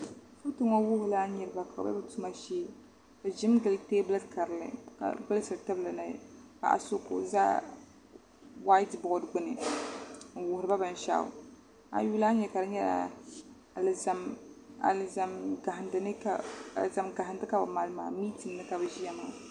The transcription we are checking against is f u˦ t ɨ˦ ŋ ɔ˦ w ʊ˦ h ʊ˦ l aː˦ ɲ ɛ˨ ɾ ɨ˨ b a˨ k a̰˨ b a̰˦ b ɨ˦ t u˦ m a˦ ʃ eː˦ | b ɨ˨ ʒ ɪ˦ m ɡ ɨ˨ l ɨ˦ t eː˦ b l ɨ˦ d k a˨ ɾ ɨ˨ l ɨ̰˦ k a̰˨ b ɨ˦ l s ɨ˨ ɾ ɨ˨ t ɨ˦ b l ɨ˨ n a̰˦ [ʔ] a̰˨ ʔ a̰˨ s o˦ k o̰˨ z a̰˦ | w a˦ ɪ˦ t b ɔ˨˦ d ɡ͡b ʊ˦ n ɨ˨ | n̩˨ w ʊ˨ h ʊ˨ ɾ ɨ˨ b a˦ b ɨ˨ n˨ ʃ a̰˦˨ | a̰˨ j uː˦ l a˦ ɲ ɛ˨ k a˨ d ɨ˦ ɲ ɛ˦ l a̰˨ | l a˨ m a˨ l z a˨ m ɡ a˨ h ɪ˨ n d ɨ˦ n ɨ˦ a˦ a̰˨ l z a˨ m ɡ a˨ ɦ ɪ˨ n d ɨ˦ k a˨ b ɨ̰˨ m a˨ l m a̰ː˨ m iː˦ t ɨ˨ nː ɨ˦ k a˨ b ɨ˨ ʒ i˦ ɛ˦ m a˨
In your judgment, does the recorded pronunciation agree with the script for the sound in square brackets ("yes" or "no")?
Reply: no